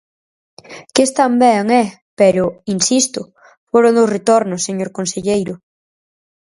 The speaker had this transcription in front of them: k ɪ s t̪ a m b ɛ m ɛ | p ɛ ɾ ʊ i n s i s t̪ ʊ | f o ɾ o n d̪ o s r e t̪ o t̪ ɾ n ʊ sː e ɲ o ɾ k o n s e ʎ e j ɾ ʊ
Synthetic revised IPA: k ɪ s t̪ a m b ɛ ŋ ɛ | p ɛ ɾ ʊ i n s i s t̪ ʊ | f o ɾ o n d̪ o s r e t̪ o ɾ n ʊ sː e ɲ o ɾ k o n s e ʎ e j ɾ ʊ

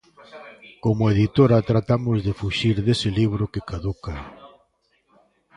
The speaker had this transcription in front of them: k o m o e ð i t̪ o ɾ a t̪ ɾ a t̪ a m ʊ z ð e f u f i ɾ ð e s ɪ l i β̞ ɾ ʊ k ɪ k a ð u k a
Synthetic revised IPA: k o m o e ð i t̪ o ɾ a t̪ ɾ a t̪ a m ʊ z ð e f u ʃ i ɾ ð e s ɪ l i β̞ ɾ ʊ k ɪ k a ð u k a

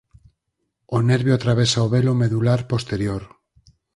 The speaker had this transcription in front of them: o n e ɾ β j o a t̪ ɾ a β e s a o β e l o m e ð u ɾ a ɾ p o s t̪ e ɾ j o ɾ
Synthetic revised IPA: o n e ɾ β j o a t̪ ɾ a β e s a o β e l o m e ð u l a ɾ p o s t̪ e ɾ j o ɾ

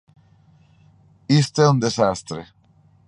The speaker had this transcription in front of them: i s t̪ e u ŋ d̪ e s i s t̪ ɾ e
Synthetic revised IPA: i s t̪ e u n d̪ e s a s t̪ ɾ e

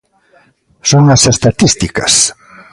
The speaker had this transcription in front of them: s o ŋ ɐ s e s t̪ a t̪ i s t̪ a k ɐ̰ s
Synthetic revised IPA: s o ŋ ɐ s e s t̪ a t̪ i s t̪ i k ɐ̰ s

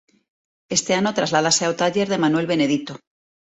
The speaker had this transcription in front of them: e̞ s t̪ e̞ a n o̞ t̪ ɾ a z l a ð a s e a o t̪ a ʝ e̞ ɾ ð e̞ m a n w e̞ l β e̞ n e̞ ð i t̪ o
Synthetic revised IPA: e̞ s t̪ e̞ a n o̞ t̪ ɾ a z l a ð a s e a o t̪ a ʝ e̞ ɾ ð e̞ m a n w e̞ l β e̞ n e̞ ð i t̪ o

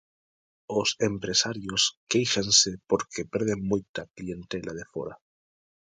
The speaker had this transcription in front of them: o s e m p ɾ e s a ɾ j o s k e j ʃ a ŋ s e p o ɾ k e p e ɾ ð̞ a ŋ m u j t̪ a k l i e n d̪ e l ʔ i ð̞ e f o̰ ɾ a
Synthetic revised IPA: o s e m p ɾ e s a ɾ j o s k e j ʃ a n s e p o ɾ k e p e ɾ ð̞ e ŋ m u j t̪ a k l i e n t̪ e l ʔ a ð̞ e f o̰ ɾ a

